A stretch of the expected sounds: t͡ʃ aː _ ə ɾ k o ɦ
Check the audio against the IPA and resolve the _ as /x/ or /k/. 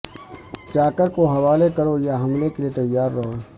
k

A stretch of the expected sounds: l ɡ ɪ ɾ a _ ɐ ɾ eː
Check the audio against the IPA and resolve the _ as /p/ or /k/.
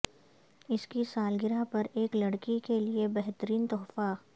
p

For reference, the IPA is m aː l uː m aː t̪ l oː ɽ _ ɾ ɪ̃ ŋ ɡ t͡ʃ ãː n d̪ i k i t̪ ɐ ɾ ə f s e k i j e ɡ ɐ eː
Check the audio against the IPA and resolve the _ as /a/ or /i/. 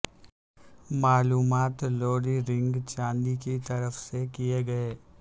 i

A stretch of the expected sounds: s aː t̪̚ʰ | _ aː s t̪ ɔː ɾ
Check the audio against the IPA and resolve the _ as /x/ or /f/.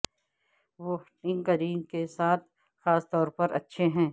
x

